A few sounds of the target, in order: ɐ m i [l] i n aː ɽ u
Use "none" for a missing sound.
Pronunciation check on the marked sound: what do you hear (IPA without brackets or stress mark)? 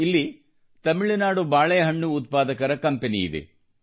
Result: ɭ